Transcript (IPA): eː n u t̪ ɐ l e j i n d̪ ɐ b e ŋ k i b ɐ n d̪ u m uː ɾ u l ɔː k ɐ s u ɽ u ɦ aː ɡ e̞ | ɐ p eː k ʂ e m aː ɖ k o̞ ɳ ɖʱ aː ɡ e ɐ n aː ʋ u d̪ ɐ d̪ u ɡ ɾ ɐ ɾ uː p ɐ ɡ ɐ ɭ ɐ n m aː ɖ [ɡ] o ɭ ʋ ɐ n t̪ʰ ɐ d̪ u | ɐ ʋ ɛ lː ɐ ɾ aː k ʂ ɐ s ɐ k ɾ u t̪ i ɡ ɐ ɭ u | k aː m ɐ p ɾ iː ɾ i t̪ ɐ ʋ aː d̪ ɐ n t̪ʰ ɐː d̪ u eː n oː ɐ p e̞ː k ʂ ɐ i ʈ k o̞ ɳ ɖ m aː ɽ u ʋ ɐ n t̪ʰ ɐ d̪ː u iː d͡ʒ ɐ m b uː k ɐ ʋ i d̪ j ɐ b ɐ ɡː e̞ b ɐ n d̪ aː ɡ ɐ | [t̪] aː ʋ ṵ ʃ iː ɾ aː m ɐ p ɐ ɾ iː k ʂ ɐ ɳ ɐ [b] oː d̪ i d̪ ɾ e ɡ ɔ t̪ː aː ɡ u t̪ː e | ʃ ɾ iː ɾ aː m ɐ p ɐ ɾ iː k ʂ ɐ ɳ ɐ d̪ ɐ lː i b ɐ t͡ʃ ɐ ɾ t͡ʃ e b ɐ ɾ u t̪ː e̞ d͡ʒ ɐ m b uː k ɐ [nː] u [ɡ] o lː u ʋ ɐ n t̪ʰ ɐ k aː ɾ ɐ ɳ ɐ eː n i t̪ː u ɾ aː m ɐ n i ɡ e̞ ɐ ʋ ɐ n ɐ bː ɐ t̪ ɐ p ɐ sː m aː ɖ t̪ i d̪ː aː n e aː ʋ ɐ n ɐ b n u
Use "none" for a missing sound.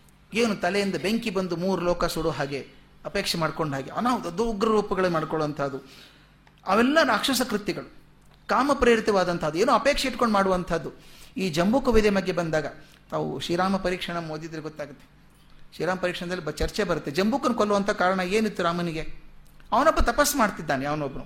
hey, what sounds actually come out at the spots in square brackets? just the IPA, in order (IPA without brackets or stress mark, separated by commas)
k, t̪, m, n, k